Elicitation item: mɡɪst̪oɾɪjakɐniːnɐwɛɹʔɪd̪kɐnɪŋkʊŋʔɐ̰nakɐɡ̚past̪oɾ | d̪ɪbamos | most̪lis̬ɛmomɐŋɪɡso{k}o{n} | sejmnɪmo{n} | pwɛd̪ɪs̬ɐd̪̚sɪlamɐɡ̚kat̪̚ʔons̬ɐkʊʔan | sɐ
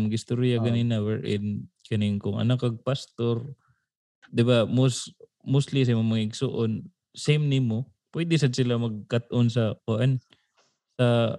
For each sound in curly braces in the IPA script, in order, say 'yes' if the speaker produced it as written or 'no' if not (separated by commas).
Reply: no, yes, no